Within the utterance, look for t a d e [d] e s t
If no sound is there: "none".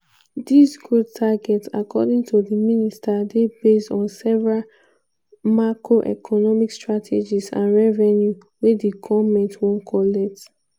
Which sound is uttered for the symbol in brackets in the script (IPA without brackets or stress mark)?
b